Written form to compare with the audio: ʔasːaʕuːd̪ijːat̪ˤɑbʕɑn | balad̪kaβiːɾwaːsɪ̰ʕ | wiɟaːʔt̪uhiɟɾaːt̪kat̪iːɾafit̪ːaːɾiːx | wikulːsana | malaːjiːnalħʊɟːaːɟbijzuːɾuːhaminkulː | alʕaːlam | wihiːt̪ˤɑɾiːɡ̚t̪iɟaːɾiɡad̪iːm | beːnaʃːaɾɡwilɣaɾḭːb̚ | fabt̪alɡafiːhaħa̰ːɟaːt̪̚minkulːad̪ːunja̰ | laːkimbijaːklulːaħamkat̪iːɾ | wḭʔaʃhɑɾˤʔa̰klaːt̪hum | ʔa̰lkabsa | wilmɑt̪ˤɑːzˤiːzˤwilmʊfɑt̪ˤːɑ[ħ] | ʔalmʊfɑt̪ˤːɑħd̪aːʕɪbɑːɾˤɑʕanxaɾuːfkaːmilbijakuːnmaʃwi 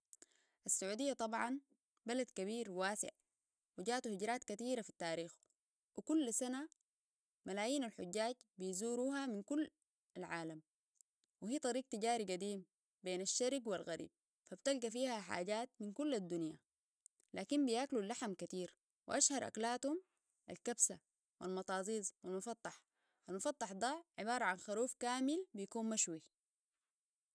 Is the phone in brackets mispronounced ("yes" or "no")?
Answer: no